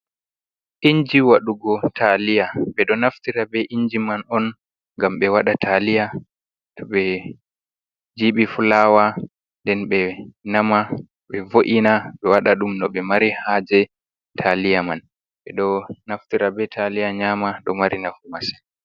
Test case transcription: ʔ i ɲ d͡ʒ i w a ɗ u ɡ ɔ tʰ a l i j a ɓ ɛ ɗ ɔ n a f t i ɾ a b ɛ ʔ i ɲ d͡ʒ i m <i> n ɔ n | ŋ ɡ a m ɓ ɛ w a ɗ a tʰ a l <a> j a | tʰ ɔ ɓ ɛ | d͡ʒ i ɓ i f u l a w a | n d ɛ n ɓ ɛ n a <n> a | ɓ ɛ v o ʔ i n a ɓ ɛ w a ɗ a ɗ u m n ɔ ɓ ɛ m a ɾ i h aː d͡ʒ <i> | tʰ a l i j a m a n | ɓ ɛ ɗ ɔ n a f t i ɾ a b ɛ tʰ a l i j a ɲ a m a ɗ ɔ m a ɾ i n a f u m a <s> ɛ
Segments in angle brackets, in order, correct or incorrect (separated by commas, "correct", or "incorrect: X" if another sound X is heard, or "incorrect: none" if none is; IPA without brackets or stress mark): incorrect: a, incorrect: i, incorrect: m, incorrect: ɛ, correct